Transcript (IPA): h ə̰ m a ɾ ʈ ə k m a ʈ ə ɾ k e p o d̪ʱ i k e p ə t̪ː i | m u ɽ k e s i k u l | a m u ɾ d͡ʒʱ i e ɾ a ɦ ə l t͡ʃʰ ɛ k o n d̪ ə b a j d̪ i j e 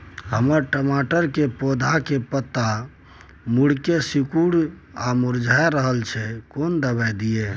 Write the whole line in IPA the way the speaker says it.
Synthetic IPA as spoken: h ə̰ m ə ɾ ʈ ə m a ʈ ə ɾ k e p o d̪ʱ a k e p ə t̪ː a | m u ɽ k e s i k u ɽ | a m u ɾ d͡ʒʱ a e ɾ ə ɦ ə l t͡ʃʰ ɛ k o n d̪ ə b a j d̪ i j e